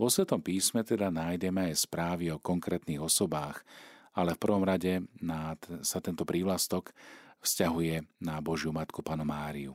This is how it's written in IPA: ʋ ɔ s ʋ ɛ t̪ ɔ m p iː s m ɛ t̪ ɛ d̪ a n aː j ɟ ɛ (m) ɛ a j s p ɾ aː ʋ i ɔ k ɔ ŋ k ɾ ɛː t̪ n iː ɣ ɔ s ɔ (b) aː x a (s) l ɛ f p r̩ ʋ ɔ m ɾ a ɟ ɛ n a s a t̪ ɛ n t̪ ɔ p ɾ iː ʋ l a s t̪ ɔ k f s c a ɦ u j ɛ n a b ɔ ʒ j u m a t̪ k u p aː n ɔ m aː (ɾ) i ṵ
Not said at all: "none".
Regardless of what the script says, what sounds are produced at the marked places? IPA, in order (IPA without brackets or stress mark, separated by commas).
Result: m, b, none, ɾ